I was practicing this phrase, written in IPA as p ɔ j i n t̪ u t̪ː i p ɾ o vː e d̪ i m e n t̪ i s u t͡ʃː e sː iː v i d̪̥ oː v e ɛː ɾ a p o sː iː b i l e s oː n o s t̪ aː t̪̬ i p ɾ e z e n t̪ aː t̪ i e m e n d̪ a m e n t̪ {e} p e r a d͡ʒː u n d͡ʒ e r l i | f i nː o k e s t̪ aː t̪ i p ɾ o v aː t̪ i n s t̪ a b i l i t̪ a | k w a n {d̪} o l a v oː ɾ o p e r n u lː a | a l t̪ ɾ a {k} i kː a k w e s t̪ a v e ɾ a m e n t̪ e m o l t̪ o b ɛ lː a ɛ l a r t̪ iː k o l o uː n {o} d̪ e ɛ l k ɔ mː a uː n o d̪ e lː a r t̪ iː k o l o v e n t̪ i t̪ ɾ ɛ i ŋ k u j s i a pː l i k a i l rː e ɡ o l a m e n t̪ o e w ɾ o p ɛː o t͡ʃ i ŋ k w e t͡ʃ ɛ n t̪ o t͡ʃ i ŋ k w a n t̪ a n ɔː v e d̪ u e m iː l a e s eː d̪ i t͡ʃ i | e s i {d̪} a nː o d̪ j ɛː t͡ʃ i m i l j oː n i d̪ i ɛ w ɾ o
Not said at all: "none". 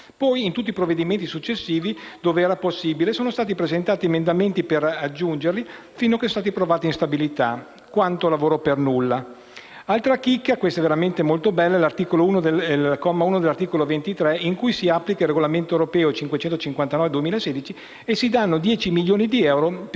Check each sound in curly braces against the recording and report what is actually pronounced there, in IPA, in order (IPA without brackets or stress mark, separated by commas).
i, t̪, k, o, d̪